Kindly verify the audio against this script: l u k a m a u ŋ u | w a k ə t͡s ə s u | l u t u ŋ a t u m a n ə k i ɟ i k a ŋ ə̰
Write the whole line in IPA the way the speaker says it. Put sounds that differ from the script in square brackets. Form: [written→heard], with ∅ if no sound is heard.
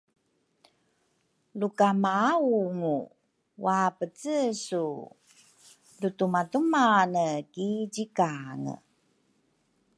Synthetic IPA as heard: l u k a m a u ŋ u | w a [k→p] ə t͡s ə s u | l u t u [ŋ→m] a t u m a n ə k i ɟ i k a ŋ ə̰